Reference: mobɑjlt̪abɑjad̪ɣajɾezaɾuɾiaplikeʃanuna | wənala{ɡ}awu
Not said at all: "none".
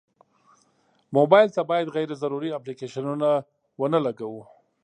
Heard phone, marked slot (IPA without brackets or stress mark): ɡ